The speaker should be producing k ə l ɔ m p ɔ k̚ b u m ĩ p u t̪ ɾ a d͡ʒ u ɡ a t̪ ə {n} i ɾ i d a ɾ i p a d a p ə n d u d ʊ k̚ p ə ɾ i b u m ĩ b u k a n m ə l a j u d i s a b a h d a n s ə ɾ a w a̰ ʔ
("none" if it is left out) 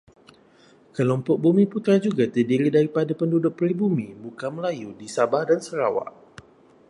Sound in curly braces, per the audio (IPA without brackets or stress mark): d